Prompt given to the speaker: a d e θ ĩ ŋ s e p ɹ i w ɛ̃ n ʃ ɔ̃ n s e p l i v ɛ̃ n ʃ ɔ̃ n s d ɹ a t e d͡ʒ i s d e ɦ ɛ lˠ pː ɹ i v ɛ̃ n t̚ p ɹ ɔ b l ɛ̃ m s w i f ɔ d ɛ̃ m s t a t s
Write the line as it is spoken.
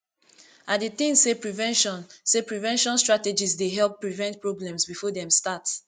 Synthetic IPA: a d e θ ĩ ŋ s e p ɹ i v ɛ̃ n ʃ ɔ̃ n s e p ɹ i v ɛ̃ n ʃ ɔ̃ n s t ɹ a t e d͡ʒ i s d e ɦ ɛ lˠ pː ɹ i v ɛ̃ n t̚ p ɹ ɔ b l ɛ̃ m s b i f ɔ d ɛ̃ m s t a t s